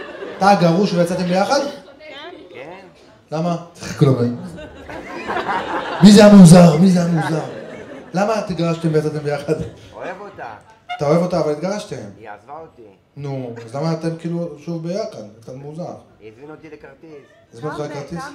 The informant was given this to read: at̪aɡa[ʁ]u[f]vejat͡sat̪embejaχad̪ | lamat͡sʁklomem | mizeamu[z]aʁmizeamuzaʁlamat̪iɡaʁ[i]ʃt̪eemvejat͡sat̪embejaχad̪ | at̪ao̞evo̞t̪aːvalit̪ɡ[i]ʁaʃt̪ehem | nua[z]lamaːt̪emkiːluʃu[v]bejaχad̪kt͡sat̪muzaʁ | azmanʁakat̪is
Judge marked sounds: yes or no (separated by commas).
yes, no, yes, no, no, yes, yes